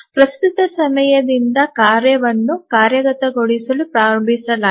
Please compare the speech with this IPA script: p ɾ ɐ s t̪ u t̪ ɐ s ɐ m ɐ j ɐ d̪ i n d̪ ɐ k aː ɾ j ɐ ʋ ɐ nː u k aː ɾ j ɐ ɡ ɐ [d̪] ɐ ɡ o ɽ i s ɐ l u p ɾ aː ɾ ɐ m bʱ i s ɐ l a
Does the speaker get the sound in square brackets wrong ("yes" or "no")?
yes